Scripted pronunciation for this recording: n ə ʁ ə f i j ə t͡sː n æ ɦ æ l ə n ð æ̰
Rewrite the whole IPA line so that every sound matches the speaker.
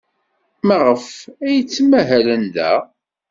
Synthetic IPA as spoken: m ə ʁ ə f æ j ə t͡sː m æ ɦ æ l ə n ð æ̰